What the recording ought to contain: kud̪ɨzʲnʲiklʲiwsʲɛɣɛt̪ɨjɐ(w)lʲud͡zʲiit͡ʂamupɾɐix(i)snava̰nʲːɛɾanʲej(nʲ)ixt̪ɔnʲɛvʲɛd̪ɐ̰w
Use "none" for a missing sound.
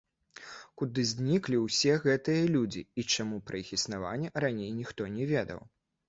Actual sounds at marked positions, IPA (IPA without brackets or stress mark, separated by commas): none, i, nʲ